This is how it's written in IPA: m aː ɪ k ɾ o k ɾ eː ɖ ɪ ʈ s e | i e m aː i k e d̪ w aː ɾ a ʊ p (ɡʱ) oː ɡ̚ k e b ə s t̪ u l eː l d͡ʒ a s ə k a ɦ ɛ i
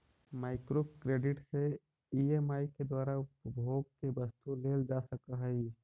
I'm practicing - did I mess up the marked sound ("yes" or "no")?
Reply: yes